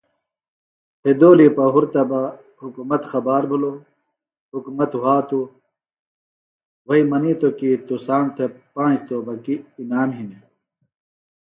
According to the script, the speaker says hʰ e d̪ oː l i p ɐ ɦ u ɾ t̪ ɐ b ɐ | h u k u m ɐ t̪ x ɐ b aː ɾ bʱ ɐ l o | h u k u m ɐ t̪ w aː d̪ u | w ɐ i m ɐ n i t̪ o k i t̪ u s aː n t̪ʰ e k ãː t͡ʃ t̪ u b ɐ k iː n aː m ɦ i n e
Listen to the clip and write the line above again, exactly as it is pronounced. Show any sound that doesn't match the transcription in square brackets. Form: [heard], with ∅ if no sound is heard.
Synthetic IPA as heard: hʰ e d̪ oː l i p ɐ ɦ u ɾ t̪ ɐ b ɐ | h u k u m ɐ t̪ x ɐ b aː ɾ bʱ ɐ l o | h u k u m ɐ t̪ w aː [t̪] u | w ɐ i m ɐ n i t̪ o k i t̪ u s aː n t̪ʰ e [p] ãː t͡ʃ t̪ [o] b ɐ k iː n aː m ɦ i n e